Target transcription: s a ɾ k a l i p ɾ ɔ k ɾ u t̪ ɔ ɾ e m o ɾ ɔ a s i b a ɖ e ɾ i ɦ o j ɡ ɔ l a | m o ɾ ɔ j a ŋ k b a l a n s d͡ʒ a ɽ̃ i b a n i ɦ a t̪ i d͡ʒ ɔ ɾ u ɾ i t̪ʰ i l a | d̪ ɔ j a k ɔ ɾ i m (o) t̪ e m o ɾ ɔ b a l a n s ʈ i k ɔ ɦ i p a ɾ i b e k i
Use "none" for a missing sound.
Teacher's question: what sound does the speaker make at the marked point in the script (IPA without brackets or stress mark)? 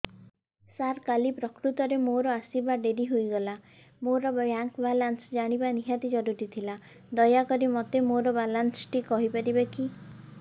ɔ